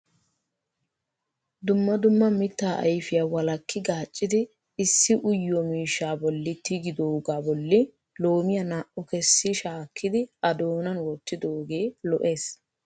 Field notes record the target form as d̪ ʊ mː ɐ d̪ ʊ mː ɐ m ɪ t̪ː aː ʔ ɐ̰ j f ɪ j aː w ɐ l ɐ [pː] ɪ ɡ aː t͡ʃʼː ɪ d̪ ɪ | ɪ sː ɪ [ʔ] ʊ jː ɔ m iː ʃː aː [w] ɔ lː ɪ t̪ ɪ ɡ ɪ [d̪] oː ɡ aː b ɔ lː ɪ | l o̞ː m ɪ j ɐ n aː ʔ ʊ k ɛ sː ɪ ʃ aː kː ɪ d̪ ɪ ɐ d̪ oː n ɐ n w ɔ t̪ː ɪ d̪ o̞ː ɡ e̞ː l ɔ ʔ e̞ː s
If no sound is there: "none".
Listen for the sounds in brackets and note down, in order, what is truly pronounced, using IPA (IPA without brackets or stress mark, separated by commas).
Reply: kː, ʔ, b, d̪